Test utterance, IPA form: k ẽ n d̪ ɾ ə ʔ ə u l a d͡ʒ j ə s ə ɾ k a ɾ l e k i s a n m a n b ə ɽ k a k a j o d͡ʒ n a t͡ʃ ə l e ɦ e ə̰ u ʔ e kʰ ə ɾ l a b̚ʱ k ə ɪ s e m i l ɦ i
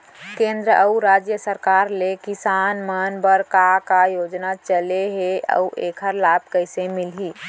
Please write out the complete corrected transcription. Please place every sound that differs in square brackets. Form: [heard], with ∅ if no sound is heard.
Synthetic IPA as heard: k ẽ n d̪ ɾ ə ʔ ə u [ɾ] a d͡ʒ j ə s ə ɾ k a ɾ l e k i s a n m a n b ə [ɾ] k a k a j o d͡ʒ n a t͡ʃ ə l e ɦ e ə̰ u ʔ e kʰ ə ɾ l a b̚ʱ k ə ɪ s e m i l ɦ i